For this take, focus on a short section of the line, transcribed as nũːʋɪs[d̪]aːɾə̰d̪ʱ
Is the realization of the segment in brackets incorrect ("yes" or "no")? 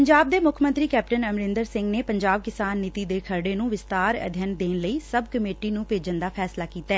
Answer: yes